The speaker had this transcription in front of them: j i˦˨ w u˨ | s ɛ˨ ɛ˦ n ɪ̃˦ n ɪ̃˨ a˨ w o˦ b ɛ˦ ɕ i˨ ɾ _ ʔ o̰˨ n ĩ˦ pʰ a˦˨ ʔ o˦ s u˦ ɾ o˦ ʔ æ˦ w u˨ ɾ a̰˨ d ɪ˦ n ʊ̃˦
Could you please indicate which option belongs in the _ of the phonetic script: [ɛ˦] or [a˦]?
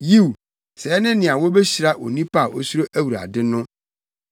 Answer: a˦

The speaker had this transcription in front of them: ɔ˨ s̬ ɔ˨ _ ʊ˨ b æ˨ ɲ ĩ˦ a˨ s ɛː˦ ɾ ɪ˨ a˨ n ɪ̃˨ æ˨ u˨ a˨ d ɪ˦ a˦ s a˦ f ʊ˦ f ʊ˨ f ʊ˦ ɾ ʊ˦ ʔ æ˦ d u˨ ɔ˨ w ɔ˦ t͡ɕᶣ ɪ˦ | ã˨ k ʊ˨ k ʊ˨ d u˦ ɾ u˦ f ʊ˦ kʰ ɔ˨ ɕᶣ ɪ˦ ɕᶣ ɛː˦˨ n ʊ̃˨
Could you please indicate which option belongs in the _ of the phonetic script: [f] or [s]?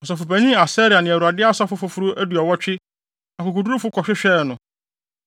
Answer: f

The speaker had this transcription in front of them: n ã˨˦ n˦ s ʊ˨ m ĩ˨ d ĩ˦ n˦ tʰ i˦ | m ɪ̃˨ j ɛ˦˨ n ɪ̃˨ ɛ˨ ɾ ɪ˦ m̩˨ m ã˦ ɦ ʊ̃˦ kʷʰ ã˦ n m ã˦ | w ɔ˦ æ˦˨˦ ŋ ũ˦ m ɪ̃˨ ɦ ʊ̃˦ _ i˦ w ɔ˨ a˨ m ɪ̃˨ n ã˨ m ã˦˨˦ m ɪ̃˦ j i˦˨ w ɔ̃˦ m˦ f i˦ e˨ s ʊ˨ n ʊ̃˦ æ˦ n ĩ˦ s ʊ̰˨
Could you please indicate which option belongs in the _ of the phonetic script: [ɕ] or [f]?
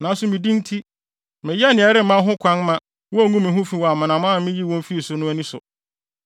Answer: f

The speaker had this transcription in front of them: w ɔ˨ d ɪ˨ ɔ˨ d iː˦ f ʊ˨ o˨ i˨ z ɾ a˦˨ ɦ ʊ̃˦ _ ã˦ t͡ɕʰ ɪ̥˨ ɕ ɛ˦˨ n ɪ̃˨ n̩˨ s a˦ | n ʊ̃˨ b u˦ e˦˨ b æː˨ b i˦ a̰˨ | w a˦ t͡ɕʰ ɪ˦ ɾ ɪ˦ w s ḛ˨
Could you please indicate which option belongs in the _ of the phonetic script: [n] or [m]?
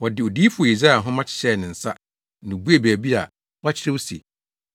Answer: m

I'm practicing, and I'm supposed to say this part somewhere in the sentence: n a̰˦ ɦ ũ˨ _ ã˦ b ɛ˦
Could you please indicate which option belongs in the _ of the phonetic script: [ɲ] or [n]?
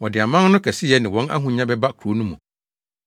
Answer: ɲ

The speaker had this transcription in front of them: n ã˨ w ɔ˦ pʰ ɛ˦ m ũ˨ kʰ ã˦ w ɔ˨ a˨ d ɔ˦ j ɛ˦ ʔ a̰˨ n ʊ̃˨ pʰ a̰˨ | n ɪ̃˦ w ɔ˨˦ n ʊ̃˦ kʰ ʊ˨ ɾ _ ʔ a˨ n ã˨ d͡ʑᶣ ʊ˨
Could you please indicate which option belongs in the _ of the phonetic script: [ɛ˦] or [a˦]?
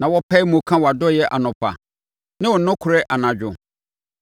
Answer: ɛ˦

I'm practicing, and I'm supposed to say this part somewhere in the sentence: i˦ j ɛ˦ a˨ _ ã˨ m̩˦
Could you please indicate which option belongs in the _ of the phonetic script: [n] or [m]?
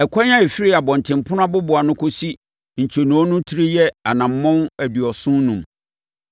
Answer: n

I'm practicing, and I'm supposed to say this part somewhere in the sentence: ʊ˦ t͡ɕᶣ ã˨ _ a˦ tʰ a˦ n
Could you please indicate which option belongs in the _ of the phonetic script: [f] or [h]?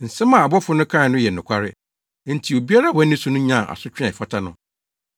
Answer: f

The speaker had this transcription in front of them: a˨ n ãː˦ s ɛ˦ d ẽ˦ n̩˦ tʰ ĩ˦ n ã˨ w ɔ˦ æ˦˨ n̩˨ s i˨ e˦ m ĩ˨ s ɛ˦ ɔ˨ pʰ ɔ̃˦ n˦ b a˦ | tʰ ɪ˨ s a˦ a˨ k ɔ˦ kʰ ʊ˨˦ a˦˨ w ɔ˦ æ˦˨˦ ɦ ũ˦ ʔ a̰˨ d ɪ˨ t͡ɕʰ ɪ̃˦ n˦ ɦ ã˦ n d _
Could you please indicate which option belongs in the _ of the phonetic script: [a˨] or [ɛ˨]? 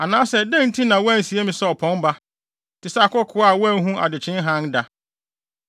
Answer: a˨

